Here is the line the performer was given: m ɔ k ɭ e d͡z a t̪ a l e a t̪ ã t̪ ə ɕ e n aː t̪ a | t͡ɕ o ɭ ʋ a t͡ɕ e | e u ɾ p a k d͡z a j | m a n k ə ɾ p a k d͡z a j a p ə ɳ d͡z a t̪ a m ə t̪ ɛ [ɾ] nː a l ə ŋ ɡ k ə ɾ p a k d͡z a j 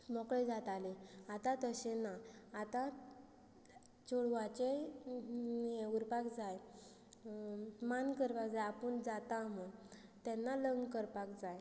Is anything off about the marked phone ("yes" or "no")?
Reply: yes